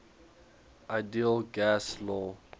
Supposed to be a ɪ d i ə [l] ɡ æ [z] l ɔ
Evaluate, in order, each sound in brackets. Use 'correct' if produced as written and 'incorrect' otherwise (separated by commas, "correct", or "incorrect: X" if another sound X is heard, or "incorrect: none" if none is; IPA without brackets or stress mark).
correct, incorrect: s